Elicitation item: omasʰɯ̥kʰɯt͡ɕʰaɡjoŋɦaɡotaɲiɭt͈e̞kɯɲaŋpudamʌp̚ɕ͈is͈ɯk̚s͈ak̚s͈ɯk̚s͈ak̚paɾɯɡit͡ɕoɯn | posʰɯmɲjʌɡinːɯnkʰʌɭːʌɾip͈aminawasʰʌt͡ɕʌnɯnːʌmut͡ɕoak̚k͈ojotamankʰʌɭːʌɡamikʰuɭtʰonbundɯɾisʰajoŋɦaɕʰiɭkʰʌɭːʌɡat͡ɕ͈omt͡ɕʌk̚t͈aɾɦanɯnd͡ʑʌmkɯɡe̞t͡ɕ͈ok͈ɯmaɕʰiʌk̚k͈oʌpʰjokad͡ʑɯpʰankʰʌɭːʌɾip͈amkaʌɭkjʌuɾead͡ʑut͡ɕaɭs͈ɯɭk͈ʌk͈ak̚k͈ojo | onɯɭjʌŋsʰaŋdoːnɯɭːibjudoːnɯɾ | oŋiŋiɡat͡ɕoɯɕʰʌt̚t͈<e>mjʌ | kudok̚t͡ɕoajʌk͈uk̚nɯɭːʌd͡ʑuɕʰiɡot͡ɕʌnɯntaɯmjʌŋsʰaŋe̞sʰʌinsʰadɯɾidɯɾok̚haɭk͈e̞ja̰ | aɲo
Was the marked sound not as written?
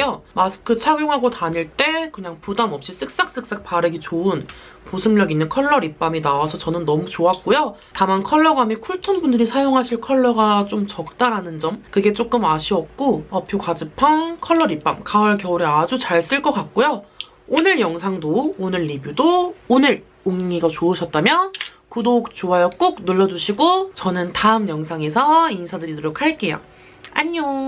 yes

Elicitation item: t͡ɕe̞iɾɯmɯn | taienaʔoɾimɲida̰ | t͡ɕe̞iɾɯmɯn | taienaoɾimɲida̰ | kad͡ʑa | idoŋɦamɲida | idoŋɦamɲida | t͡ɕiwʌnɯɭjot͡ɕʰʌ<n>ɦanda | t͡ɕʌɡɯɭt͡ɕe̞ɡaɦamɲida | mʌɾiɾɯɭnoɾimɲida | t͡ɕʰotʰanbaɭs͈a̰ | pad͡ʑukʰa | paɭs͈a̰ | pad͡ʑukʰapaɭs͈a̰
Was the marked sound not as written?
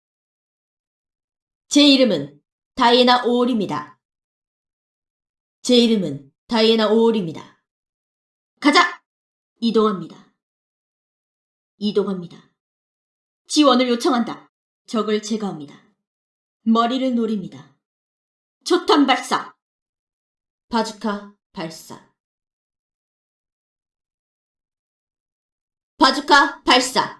yes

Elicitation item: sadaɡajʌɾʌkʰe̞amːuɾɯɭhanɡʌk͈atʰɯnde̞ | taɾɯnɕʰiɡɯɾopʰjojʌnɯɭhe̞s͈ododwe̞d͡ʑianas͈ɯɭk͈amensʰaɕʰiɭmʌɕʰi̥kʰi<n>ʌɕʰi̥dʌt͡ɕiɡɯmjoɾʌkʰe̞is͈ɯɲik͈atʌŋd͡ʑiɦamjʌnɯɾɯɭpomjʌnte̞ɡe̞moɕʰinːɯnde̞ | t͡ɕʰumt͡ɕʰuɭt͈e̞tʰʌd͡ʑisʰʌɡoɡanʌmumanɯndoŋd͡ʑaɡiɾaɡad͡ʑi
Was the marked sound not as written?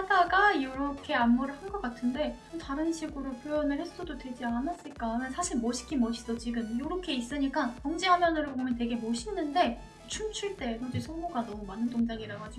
yes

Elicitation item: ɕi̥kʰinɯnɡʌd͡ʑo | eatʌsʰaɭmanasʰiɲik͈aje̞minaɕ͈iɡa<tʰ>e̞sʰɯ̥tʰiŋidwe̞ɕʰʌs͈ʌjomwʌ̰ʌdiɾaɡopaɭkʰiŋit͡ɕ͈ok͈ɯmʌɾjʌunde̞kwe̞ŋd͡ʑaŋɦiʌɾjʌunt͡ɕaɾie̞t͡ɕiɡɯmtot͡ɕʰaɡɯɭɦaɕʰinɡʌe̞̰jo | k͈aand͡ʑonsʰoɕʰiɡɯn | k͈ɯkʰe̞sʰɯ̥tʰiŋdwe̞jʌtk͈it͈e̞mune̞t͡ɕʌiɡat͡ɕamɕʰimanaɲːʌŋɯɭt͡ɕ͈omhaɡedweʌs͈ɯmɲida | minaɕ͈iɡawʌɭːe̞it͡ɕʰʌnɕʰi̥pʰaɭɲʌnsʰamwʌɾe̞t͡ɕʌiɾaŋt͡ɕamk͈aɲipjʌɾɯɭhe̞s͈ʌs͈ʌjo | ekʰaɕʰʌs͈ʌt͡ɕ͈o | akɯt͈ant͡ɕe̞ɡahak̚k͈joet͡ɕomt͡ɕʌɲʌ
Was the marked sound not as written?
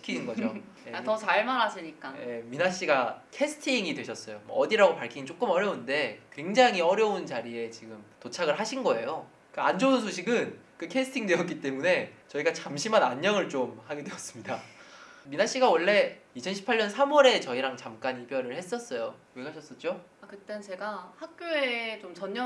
yes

